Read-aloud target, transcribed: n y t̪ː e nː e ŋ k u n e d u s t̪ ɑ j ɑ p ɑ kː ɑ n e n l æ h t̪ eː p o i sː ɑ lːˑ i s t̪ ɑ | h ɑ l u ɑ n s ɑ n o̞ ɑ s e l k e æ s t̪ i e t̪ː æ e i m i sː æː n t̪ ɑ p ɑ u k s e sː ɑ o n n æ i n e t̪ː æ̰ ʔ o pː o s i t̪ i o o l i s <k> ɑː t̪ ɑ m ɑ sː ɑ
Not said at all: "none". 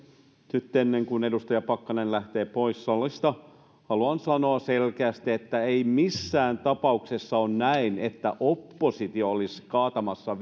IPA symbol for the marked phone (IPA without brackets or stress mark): k